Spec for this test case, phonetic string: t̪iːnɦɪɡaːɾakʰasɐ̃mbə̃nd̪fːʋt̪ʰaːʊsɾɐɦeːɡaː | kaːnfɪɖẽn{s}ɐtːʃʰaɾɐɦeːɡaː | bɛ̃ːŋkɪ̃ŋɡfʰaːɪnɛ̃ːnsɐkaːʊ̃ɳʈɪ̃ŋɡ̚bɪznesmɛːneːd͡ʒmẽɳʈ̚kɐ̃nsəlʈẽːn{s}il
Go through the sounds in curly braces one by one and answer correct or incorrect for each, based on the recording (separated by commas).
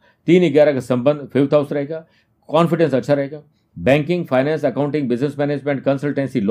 correct, correct